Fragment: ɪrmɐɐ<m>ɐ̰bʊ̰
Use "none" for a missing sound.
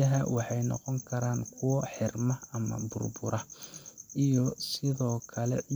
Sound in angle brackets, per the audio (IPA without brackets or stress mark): m